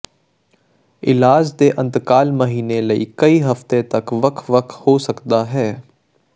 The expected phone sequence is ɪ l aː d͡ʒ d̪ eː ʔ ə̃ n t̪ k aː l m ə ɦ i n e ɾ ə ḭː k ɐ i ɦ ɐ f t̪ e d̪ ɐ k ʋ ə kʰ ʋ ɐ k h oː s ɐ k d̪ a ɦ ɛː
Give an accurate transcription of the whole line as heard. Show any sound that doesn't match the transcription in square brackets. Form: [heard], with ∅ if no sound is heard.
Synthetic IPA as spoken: ɪ l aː d͡ʒ d̪ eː ʔ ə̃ n t̪ k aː l m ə ɦ [iː] n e [l] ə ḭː k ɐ i ɦ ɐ f t̪ e [t̪] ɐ k ʋ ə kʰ ʋ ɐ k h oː s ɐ k d̪ a ɦ ɛː